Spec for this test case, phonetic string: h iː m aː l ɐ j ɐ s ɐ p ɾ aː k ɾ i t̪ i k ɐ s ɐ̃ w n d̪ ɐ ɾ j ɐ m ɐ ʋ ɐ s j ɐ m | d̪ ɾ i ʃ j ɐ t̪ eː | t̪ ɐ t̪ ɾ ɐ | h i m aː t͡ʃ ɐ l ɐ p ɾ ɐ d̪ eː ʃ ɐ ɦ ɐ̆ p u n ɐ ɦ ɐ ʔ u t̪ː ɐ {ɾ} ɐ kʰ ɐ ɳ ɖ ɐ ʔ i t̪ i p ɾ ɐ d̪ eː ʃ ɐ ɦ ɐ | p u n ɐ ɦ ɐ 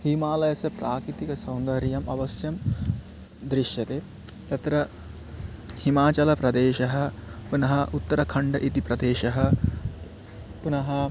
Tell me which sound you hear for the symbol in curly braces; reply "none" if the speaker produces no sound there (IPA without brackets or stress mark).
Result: ɾ